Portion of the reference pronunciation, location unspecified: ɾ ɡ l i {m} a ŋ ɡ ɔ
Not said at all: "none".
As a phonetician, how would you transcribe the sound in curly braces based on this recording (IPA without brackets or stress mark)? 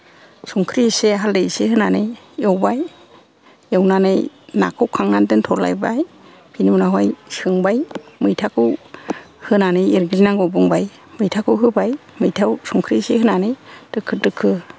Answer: n